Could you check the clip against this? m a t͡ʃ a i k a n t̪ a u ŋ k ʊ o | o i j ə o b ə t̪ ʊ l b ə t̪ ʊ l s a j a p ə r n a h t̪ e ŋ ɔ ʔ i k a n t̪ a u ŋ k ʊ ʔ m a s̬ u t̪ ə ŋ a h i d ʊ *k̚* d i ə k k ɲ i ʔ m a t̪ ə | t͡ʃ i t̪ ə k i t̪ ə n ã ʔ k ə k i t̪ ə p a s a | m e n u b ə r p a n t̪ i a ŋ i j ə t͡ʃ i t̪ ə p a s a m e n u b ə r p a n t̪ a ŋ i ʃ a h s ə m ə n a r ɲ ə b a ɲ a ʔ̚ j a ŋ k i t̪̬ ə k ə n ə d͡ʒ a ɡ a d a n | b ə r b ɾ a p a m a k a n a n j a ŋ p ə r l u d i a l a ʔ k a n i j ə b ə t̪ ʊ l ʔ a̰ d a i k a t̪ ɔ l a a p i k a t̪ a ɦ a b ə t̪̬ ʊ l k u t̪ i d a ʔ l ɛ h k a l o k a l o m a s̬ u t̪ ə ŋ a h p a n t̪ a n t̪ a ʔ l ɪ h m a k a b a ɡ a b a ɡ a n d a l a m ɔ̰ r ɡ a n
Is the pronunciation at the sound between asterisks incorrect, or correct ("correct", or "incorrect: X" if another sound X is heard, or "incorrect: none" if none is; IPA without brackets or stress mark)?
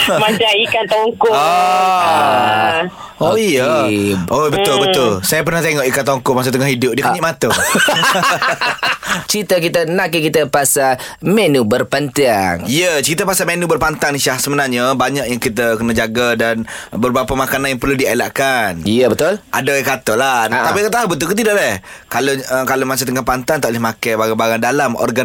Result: incorrect: p̚